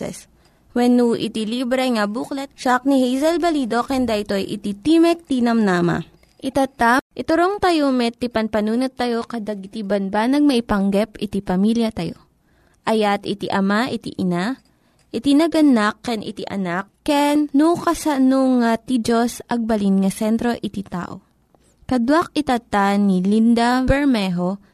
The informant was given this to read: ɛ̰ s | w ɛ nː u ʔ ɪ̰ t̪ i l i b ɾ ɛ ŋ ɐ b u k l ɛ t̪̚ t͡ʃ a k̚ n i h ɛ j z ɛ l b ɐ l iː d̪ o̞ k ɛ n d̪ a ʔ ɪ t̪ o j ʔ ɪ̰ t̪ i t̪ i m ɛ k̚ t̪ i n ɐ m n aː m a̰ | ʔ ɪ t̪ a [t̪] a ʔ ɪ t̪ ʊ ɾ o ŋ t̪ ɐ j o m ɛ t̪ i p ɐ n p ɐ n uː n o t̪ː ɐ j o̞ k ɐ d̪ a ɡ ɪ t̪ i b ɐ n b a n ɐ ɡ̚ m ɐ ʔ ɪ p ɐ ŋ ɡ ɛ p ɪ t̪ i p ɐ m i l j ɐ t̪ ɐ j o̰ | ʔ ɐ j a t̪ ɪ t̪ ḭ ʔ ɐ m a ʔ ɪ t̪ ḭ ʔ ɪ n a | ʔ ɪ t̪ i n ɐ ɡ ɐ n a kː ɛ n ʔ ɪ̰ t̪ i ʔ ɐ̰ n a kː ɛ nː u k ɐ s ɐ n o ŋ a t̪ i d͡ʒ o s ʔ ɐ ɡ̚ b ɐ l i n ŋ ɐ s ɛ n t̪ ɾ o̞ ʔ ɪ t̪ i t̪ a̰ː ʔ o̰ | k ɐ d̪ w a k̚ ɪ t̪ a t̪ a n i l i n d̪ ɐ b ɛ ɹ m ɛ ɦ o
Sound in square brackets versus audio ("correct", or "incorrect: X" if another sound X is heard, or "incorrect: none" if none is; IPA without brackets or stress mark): correct